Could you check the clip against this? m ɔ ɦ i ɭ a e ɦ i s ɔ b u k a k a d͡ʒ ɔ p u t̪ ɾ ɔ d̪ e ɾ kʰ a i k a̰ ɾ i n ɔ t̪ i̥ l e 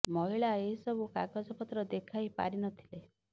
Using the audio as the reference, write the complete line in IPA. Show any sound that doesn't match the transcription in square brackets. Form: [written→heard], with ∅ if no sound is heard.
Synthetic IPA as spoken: m ɔ ɦ i ɭ a e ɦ i s ɔ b u k a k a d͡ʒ ɔ p [u→ɔ] t̪ ɾ ɔ d̪ e [ɾ→∅] kʰ a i [k→p] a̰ ɾ i n ɔ [t̪→t̪ʰ] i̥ l e